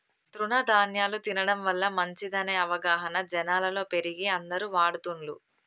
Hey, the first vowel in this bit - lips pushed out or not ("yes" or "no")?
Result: yes